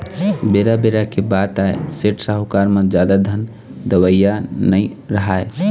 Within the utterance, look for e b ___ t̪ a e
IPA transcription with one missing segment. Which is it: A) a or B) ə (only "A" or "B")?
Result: A